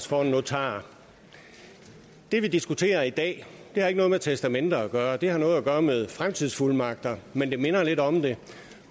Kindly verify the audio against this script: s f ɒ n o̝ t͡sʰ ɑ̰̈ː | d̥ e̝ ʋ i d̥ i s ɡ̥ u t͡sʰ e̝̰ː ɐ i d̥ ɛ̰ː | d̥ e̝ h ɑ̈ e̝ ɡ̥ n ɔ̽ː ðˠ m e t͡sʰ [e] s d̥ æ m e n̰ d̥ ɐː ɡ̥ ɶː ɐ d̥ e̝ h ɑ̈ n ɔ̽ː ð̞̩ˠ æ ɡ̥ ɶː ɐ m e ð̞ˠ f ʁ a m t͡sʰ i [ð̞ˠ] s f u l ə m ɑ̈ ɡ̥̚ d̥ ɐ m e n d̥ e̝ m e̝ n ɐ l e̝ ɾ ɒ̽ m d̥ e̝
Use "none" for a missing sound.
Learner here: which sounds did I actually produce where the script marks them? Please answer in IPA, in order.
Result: e, ð̞ˠ

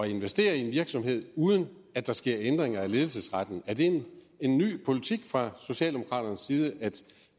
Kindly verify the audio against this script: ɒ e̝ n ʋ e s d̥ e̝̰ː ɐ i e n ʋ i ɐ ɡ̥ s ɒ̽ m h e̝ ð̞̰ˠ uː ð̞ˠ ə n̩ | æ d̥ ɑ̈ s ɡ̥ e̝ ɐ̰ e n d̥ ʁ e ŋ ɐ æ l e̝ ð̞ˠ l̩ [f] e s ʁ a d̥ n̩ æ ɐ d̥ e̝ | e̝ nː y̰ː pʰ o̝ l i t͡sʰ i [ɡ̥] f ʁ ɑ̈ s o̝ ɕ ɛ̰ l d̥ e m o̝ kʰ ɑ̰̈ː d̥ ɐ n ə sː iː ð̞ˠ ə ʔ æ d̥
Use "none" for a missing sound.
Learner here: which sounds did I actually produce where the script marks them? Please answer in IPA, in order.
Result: s, ɡ̥

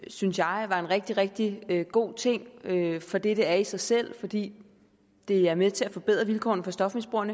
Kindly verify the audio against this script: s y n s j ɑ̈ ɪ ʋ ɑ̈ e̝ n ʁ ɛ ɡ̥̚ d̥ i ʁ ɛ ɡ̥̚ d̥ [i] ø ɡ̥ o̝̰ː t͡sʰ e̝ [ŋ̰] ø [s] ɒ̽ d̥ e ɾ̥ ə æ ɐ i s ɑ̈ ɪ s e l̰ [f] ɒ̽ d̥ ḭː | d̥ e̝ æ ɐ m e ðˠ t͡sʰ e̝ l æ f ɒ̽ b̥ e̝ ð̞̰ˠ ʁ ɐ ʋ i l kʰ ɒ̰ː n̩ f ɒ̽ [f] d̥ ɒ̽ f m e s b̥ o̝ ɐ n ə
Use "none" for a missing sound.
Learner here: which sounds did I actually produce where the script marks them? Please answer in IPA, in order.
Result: i, ŋ̰, f, f, s

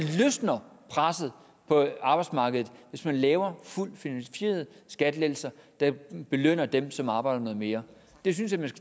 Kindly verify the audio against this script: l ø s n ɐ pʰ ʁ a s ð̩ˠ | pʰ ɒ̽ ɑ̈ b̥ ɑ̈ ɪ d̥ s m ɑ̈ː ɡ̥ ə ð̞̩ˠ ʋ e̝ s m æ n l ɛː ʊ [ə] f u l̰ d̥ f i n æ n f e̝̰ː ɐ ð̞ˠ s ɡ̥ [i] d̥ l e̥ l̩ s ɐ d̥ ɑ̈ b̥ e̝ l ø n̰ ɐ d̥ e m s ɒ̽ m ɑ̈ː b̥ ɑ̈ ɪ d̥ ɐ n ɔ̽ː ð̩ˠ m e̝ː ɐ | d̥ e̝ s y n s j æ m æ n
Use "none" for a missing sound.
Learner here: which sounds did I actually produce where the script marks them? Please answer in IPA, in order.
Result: ɐ, æ

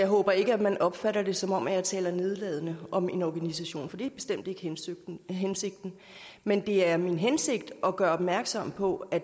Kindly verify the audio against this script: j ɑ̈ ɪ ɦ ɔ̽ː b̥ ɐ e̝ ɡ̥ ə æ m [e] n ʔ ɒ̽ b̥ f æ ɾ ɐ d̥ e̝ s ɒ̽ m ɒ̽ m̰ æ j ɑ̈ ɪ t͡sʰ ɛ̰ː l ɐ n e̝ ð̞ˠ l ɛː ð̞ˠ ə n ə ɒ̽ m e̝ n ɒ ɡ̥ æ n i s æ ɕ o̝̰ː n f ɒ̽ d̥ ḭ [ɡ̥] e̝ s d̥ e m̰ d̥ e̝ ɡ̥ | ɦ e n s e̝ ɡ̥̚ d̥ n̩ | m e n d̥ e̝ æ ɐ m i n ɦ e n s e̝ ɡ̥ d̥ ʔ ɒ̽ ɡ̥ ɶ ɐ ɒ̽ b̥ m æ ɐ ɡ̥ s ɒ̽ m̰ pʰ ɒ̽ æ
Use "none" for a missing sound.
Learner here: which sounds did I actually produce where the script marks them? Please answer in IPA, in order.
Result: æ, b̥

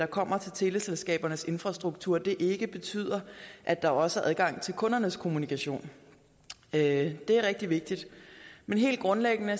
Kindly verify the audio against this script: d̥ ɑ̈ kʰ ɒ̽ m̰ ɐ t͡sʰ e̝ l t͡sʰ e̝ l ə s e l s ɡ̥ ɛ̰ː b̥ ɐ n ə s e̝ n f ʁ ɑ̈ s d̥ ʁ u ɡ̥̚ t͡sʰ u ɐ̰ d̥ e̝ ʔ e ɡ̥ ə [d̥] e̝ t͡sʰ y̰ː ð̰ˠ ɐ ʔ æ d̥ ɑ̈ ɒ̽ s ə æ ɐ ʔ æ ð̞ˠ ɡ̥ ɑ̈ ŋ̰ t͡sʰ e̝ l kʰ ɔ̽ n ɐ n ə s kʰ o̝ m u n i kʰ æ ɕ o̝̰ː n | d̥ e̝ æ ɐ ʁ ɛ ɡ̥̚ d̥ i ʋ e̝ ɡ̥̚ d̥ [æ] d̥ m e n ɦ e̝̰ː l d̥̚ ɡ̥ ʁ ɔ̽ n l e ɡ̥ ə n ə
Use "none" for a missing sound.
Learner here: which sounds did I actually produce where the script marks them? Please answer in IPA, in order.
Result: b̥, i

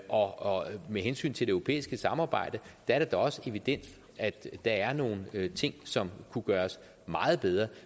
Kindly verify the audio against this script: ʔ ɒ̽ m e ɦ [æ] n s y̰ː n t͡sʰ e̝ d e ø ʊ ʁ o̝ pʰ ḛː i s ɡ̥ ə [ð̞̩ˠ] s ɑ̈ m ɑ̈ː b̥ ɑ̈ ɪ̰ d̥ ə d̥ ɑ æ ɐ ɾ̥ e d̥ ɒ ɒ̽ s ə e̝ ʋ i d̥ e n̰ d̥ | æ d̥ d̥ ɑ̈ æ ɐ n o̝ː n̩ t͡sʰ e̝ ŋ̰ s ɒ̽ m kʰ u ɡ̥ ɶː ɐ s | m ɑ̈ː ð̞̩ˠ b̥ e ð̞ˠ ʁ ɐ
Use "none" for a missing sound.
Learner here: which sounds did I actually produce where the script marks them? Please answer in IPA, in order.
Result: e, none

